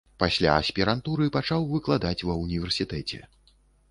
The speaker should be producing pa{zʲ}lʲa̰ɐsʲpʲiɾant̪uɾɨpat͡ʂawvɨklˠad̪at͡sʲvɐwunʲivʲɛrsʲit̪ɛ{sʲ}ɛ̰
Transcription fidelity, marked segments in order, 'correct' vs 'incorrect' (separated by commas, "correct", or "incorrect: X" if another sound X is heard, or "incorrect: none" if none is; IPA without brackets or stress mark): incorrect: sʲ, incorrect: t͡sʲ